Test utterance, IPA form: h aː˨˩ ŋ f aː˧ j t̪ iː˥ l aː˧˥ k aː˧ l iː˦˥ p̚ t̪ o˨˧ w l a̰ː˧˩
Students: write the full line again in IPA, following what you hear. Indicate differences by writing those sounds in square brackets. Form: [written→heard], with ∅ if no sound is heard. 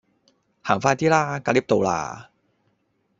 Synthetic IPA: h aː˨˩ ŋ f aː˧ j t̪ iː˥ l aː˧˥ k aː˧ l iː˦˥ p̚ t̪ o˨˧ w l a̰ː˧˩